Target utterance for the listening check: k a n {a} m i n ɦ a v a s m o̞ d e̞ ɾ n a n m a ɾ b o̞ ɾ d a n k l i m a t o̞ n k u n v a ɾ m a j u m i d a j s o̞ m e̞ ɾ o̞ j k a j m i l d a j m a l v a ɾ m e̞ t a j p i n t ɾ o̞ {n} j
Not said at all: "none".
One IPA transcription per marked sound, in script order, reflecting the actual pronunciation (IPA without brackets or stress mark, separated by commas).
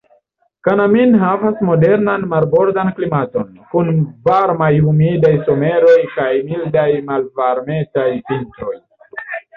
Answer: a, none